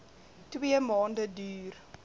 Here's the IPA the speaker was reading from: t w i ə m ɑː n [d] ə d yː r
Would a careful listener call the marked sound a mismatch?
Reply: no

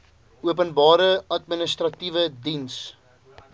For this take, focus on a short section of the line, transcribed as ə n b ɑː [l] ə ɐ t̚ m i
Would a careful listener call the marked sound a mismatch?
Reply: yes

